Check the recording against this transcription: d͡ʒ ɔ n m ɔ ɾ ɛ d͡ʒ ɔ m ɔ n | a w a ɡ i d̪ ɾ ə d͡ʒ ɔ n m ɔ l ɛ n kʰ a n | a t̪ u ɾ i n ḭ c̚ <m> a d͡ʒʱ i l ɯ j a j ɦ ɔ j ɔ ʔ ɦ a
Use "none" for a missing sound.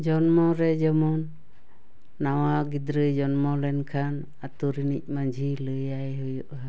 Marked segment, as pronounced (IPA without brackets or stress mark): m